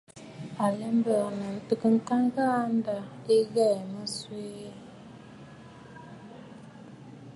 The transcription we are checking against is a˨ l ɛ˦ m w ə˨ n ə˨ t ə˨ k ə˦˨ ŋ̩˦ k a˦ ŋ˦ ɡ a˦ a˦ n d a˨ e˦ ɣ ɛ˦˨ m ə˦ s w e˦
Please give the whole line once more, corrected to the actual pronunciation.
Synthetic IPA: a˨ l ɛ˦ m b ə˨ n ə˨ t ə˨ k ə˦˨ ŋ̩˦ k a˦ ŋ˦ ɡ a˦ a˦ n d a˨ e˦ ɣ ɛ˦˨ m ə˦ s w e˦